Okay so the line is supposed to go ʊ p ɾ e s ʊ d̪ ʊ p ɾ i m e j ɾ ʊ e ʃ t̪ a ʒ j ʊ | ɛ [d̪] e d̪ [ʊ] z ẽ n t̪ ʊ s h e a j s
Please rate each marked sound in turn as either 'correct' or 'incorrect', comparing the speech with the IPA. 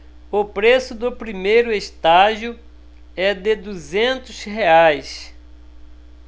correct, incorrect: u

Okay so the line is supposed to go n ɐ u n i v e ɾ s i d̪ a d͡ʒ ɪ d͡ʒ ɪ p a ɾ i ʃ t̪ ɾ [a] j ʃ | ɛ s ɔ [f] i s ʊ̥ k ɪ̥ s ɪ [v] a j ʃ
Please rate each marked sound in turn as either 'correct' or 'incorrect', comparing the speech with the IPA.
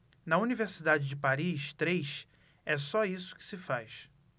incorrect: e, incorrect: none, incorrect: f

